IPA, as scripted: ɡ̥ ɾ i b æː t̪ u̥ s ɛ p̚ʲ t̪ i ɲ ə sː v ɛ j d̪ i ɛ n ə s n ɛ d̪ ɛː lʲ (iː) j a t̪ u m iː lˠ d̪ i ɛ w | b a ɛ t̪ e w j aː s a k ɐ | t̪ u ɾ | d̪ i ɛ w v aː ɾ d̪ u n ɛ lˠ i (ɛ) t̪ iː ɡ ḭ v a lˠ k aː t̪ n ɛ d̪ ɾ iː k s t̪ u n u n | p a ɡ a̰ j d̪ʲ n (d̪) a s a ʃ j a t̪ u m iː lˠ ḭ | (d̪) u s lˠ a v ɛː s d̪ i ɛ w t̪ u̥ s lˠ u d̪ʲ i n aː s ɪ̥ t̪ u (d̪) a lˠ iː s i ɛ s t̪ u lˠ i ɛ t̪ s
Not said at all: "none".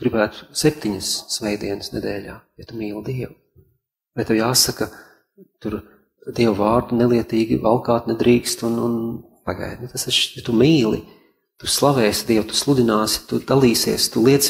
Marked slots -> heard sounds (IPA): aː, ɛ, t̪, t̪, d̪

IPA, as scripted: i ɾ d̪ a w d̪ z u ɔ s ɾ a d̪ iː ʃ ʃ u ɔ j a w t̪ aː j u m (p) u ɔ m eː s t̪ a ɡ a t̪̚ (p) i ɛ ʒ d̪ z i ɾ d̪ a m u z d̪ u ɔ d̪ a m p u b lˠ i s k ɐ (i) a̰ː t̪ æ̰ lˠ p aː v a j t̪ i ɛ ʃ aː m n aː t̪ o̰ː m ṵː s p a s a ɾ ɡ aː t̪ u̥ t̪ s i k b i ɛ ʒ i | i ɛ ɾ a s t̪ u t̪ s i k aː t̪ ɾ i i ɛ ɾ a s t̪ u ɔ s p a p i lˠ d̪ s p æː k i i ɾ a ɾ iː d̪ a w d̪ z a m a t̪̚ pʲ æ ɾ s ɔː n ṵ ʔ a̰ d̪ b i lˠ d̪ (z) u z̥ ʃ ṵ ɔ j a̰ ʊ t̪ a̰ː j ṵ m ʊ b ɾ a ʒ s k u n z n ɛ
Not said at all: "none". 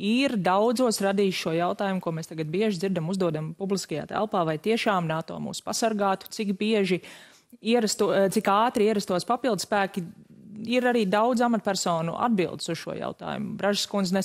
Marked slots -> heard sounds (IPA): k, b, j, s

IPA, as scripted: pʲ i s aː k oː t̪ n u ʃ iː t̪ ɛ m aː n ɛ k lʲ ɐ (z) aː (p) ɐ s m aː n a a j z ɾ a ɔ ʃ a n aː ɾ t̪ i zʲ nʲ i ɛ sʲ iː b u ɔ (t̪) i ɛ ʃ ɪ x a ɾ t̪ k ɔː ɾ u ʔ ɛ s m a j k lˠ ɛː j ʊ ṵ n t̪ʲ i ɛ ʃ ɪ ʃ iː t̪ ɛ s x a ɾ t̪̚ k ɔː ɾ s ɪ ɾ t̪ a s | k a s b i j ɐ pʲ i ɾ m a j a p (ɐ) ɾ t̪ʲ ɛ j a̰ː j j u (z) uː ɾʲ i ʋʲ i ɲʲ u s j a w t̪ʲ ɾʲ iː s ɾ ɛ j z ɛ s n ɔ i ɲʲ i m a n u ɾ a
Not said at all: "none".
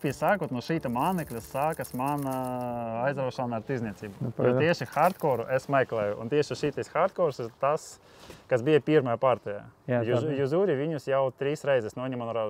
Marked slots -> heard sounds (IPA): s, k, t̪, a, z

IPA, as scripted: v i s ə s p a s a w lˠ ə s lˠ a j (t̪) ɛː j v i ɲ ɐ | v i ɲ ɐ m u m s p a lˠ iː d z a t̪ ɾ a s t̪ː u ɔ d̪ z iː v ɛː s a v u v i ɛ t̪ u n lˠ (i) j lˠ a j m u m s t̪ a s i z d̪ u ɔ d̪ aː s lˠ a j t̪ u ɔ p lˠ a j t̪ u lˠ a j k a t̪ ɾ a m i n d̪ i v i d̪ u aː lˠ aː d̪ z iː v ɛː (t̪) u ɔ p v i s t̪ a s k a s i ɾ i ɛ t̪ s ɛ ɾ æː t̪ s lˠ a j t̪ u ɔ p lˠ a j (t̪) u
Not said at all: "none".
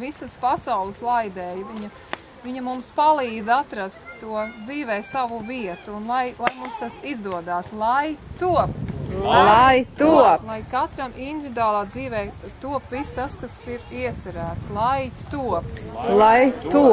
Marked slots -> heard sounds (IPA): d̪, a, t̪, t̪

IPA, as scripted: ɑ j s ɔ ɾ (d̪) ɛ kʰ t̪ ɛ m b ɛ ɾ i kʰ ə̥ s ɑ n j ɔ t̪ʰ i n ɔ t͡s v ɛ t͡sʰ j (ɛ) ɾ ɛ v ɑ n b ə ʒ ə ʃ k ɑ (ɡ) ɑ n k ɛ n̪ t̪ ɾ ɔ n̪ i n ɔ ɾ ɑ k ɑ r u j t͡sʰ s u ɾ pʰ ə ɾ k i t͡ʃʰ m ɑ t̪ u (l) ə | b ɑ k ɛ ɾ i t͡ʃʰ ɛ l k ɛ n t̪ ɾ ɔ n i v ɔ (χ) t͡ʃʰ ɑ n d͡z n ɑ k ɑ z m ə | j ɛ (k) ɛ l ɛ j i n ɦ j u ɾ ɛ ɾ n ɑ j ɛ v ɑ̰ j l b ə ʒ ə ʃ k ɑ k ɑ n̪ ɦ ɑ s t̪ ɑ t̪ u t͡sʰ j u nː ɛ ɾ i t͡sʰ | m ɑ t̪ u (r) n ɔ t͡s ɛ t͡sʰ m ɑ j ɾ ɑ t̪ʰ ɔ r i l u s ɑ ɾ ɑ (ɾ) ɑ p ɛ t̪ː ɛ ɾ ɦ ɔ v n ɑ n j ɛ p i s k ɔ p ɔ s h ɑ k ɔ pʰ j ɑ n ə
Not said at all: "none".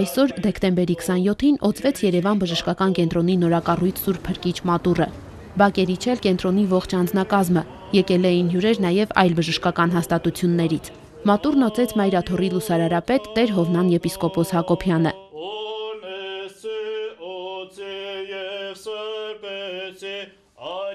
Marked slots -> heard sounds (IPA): d̪, ɛ, k, r, χ, k, r, ɾ

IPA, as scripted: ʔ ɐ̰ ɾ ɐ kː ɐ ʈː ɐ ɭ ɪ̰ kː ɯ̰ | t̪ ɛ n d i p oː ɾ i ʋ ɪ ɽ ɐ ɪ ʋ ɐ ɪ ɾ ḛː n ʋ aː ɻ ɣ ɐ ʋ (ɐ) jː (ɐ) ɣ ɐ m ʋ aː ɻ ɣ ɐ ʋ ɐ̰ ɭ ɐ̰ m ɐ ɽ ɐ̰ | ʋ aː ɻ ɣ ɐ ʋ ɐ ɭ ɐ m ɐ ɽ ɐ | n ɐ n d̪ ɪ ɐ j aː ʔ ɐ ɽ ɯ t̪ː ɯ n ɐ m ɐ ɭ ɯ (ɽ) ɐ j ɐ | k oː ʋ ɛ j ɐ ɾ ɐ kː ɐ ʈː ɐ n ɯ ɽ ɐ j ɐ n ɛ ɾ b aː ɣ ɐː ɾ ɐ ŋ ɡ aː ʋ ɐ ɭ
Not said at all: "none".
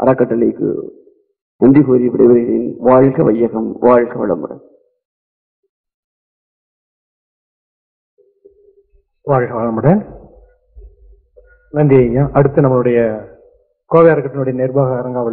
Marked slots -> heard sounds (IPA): ɐ, ɐ, ɽ

